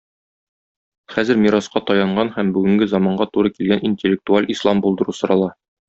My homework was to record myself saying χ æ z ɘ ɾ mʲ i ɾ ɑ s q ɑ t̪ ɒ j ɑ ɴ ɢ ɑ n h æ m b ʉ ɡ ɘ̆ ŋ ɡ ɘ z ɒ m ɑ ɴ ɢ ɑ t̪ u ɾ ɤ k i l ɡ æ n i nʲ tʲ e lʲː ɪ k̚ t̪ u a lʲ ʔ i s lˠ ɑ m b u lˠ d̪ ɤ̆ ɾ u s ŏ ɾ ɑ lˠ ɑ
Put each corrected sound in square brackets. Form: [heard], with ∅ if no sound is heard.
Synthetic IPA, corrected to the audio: χ æ z ɘ ɾ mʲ i ɾ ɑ s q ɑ t̪ ɒ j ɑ ɴ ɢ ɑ n h æ m b ʉ ɡ ɘ̆ ŋ ɡ ɘ z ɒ m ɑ ɴ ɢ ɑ t̪ u ɾ ɤ k i l ɡ æ n i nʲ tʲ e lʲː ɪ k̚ t̪ u a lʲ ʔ i s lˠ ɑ m b u lˠ d̪ ɤ̆ ɾ u s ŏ ɾ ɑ lˠ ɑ